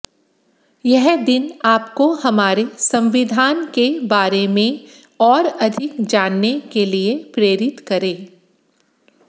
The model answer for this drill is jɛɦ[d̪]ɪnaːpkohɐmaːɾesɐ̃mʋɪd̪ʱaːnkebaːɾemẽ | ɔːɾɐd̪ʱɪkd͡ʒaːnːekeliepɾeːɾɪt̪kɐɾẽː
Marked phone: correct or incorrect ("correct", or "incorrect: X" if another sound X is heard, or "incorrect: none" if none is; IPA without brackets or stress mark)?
correct